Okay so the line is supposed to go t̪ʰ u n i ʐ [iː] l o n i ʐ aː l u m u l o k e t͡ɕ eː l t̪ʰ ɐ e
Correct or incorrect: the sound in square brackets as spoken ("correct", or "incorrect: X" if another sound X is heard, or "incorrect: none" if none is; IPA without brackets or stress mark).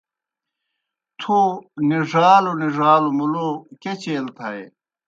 incorrect: aː